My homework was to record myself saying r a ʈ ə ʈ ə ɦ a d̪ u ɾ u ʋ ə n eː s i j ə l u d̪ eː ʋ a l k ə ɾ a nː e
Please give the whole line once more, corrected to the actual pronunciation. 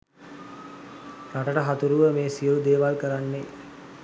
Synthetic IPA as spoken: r a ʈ ə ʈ ə ɦ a t̪ u ɾ u ʋ ə m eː s i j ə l u d̪ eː ʋ a l k ə ɾ a nː e